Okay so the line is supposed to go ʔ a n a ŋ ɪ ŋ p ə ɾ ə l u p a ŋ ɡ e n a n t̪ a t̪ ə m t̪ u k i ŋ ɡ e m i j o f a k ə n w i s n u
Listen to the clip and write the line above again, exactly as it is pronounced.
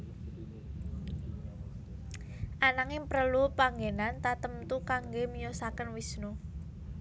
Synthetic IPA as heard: ʔ a n a ŋ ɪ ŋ p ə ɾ ə l u p a ŋ ɡ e n a n t̪ a t̪ ə m t̪ u k a ŋ ɡ e m i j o s a k ə n w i s n u